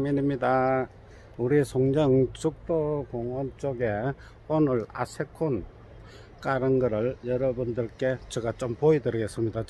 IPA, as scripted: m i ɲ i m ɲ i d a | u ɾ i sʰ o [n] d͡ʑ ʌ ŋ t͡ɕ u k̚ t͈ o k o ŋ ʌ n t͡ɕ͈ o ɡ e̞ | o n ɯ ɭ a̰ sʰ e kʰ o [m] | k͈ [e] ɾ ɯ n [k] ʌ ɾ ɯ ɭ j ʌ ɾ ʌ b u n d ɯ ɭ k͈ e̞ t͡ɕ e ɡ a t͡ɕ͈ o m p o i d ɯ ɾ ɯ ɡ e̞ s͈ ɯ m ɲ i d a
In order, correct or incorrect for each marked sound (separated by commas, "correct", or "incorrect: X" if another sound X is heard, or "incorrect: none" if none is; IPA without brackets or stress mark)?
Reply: incorrect: ŋ, incorrect: n, incorrect: a, incorrect: ɡ